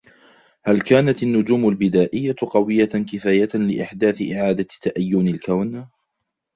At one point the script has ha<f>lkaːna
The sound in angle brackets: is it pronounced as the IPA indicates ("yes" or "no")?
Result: no